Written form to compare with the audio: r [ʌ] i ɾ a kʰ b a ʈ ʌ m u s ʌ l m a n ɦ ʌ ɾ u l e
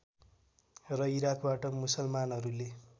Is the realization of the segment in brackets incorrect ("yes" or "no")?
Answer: no